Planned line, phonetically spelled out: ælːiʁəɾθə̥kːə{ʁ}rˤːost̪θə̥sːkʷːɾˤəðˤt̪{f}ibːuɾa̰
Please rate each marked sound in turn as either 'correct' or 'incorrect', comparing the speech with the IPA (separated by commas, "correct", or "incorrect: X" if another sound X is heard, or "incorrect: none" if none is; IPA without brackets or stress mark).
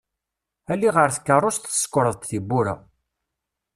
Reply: incorrect: none, incorrect: θ